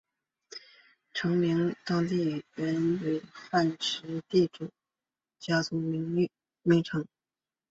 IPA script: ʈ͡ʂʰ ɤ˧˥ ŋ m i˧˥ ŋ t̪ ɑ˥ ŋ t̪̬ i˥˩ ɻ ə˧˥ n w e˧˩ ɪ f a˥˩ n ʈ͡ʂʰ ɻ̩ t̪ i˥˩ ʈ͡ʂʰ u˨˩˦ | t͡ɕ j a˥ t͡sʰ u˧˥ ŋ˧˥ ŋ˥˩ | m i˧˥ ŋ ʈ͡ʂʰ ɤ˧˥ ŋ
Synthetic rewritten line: ʈ͡ʂʰ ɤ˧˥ ŋ m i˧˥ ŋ t̪ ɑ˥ ŋ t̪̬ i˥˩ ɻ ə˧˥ n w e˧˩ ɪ f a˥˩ n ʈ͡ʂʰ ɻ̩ t̪ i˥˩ ʈ͡ʂ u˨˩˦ | t͡ɕ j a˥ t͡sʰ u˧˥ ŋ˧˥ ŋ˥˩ | m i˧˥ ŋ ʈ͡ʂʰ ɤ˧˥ ŋ